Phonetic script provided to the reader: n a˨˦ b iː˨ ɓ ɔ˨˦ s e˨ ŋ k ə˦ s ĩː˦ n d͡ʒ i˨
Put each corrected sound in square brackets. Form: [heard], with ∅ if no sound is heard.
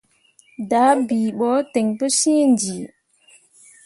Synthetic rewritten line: [d] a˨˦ b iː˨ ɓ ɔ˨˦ [t] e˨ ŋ [p] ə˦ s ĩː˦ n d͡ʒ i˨